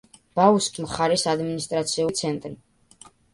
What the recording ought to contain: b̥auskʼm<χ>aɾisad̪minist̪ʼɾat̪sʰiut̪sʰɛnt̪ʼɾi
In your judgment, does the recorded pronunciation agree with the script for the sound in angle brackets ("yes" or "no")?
yes